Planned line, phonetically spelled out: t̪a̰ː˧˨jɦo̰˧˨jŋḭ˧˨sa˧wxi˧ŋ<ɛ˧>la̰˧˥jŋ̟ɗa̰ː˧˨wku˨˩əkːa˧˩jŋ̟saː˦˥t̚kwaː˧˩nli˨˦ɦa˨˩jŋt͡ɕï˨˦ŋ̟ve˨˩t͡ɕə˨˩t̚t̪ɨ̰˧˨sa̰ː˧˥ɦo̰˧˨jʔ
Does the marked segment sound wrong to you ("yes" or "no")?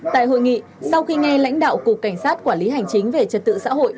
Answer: no